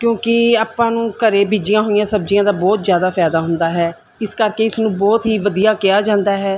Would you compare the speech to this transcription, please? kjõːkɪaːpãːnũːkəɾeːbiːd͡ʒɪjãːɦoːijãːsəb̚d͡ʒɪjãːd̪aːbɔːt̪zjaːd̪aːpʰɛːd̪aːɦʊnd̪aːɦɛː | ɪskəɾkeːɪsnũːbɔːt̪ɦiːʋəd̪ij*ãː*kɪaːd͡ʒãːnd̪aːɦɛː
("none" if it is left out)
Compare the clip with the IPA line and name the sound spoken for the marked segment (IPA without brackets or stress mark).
aː